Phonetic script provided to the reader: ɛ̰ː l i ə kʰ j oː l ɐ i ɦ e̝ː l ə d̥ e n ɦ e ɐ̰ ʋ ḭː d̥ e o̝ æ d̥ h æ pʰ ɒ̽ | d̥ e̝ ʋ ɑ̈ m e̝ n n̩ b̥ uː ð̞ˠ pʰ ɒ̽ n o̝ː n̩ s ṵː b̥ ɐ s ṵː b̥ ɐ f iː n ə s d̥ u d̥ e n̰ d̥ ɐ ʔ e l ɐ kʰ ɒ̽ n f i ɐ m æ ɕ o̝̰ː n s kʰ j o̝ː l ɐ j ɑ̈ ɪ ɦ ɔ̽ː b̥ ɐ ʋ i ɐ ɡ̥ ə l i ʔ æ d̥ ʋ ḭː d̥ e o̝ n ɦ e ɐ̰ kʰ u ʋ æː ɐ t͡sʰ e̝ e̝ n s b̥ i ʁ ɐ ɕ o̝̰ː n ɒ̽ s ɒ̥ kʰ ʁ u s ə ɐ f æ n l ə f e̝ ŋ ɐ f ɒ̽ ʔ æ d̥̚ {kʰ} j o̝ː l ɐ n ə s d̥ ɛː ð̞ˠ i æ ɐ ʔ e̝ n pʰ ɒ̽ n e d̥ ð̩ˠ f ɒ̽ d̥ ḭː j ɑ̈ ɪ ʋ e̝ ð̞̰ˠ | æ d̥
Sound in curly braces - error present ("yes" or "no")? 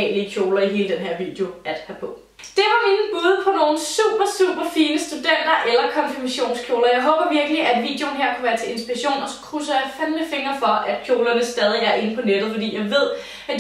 no